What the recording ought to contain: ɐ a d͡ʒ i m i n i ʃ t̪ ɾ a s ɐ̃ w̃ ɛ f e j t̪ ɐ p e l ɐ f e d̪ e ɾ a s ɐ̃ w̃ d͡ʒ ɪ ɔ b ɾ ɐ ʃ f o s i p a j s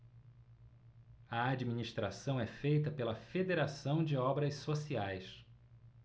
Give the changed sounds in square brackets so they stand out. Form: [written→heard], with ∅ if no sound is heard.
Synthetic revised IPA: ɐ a d͡ʒ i m i n i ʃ t̪ ɾ a s ɐ̃ w̃ ɛ f e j t̪ ɐ p e l ɐ f e d̪ e ɾ a s ɐ̃ w̃ d͡ʒ ɪ ɔ b ɾ ɐ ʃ [f→s] o s i [p→∅] a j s